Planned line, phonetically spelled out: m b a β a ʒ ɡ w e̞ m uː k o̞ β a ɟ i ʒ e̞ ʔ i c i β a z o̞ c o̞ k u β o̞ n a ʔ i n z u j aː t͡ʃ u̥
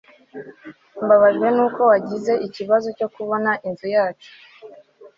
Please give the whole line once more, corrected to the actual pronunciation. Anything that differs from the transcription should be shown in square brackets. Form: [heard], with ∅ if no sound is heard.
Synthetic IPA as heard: m b a β a ʒ ɡ w e̞ [n] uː k o̞ [w] a ɟ i [z] e̞ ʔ i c i β a z o̞ c o̞ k u β o̞ n a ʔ i n z u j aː t͡ʃ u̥